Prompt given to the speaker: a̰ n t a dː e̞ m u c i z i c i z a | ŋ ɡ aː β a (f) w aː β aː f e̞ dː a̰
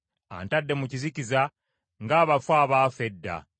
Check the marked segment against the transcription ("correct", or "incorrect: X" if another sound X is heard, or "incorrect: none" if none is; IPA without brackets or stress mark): correct